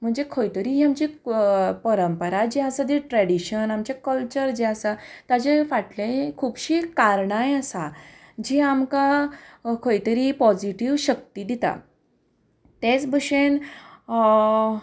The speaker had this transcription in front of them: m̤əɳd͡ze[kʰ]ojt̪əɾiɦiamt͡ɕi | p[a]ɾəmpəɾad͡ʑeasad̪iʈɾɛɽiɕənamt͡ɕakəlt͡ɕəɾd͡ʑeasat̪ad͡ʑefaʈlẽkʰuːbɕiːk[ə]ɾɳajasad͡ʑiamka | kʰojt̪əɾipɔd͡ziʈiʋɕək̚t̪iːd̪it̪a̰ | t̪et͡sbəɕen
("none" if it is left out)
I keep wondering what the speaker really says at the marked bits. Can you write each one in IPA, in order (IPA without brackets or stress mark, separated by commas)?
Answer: kʰ, ə, a